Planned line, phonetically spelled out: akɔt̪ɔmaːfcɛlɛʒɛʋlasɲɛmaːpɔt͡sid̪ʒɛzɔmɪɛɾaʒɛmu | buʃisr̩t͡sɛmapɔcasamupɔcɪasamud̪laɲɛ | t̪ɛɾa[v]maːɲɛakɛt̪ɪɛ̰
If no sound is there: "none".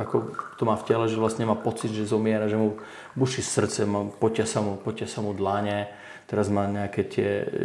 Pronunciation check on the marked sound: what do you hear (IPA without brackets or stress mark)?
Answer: z